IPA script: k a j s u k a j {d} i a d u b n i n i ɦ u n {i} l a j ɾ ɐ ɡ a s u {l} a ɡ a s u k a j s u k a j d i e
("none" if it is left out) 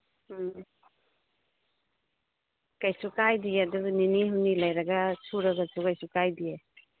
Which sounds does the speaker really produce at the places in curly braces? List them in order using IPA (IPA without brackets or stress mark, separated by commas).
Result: d, i, ɾ